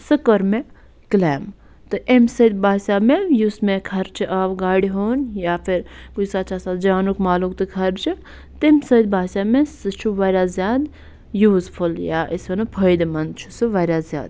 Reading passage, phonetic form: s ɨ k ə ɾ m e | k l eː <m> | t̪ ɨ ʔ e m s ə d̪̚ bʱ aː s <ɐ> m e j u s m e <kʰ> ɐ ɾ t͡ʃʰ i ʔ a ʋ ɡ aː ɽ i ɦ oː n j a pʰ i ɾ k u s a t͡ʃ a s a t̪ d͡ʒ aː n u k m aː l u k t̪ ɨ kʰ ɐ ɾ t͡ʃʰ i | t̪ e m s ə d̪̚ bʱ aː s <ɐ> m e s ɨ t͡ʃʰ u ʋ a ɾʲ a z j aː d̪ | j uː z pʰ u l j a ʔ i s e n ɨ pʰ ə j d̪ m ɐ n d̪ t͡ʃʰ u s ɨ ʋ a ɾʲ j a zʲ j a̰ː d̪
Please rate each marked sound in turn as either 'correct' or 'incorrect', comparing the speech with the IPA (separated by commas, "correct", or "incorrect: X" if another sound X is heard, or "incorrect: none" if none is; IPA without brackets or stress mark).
correct, incorrect: a, correct, incorrect: a